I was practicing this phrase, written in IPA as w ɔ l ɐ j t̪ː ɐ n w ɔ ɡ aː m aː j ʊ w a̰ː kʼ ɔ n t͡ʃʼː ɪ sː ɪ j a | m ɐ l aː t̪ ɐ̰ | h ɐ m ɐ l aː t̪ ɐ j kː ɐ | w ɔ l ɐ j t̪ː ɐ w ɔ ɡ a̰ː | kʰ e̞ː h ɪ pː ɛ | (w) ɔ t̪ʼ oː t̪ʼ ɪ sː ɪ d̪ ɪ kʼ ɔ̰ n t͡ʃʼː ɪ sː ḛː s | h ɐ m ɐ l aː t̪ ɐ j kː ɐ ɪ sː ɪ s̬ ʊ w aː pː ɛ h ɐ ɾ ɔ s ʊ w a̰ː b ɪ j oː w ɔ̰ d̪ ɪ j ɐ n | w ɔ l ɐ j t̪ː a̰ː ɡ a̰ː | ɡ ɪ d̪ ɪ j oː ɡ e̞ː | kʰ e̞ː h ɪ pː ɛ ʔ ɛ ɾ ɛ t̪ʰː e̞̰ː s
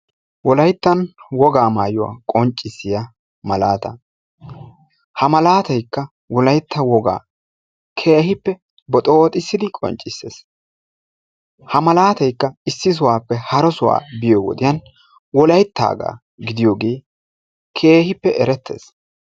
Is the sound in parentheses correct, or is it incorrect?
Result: incorrect